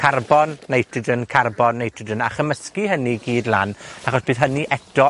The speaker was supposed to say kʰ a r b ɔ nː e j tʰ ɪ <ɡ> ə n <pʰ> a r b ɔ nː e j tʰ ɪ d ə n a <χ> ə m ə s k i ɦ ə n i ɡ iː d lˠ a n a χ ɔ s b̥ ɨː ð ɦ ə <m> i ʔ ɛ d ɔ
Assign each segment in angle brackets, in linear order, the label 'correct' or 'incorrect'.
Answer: incorrect: d, incorrect: kʰ, correct, incorrect: n

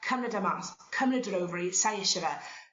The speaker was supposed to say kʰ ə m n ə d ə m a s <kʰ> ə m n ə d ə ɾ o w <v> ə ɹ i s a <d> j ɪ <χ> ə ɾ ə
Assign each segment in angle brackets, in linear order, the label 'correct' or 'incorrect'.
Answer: correct, correct, incorrect: none, incorrect: ʃ

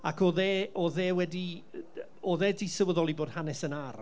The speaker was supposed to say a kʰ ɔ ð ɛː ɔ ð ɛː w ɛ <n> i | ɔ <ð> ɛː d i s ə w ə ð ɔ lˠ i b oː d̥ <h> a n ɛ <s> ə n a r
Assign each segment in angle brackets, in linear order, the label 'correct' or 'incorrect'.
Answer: incorrect: d, correct, correct, correct

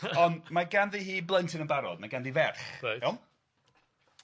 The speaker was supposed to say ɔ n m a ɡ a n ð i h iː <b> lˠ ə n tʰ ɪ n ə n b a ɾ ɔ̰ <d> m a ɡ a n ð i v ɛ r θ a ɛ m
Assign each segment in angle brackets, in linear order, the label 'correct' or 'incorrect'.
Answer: correct, correct

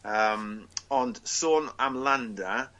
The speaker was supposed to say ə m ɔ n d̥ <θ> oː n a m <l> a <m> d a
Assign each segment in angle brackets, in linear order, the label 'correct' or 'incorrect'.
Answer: incorrect: s, correct, incorrect: n

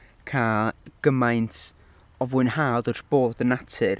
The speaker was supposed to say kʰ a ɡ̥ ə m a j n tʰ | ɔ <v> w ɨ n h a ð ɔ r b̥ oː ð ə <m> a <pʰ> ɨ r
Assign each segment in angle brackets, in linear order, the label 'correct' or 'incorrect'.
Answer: correct, incorrect: n, incorrect: tʰ

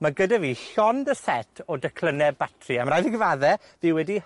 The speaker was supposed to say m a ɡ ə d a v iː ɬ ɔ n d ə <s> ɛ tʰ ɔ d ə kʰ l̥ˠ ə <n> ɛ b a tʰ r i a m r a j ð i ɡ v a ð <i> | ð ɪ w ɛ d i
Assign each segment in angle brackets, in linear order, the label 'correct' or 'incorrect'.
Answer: correct, correct, incorrect: ɛ

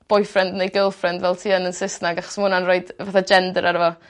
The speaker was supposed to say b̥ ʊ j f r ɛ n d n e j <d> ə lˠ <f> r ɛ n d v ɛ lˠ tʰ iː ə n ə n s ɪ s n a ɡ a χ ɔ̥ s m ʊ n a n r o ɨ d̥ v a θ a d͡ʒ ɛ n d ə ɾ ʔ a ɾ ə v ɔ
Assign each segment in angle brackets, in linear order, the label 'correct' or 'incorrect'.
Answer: incorrect: ɡ, correct

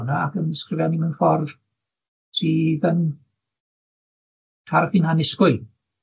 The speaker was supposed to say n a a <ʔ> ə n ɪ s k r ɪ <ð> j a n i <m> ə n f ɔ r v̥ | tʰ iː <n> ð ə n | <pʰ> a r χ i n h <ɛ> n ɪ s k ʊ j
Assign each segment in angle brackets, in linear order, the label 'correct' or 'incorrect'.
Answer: incorrect: k, incorrect: v, correct, incorrect: none, incorrect: tʰ, incorrect: a

